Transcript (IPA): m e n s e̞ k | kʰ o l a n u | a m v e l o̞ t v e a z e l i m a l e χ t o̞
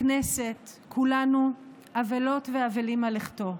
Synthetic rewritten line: n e s e̞ t | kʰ u l a n u | a v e l o̞ t v e a v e l i m a l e χ t o̞